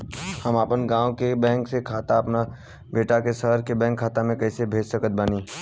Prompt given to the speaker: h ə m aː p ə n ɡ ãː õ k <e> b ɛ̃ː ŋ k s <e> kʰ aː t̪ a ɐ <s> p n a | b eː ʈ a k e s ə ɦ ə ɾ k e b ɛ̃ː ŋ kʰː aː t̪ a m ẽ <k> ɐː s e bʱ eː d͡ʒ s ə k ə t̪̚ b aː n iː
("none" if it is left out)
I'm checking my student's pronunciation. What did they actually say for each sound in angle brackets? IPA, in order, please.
e, e, none, k

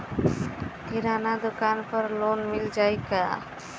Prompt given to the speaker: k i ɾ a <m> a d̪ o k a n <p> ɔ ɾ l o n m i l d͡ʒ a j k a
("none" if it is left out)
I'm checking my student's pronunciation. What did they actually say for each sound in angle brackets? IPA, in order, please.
n, p

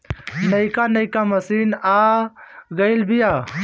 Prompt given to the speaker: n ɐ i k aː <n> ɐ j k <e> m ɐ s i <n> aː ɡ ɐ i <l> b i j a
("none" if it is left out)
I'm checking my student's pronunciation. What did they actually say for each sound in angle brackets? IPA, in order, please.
n, a, n, l

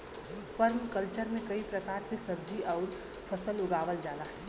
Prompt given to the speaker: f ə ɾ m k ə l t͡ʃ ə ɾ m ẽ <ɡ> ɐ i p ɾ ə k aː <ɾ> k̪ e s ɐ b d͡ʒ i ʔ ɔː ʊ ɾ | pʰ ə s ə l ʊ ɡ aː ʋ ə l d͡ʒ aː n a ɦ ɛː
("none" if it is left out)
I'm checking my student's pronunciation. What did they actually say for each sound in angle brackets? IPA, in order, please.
k, ɾ

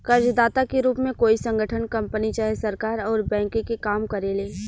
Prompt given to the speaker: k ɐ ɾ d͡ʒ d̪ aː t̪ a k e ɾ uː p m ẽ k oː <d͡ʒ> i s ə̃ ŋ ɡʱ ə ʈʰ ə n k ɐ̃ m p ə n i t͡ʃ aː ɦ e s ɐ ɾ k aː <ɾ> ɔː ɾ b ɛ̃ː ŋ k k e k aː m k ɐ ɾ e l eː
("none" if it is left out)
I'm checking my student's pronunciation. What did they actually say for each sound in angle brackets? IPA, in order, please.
none, ɾ

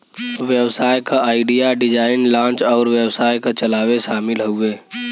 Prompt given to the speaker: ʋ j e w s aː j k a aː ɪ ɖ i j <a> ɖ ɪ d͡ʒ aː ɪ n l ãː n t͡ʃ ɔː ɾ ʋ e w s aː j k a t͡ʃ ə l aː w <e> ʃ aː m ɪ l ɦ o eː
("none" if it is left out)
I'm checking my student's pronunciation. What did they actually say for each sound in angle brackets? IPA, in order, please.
a, e

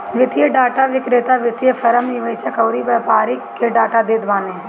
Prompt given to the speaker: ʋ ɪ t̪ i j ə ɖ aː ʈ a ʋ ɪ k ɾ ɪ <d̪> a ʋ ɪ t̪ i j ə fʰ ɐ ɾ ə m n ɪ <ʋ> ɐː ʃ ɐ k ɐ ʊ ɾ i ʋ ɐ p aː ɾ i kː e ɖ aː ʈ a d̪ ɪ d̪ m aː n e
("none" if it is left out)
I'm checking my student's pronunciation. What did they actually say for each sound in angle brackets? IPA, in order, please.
t̪, ʋ

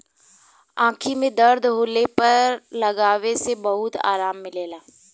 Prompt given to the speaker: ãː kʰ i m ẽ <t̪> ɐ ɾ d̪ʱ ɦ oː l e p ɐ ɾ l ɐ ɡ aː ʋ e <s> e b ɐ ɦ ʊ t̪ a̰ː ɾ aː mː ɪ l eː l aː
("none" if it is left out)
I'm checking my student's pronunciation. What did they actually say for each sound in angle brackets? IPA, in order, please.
d̪, s

